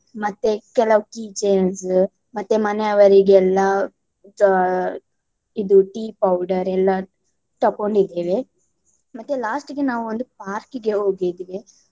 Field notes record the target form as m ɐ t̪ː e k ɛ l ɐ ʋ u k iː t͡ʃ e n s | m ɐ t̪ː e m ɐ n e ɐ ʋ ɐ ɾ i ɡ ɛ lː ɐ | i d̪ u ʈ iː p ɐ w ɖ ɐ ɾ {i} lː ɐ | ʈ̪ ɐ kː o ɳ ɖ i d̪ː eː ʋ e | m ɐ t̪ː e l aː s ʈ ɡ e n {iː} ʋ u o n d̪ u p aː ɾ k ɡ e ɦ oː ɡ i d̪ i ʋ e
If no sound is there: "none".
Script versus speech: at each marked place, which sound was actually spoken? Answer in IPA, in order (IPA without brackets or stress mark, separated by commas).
ɛ, aː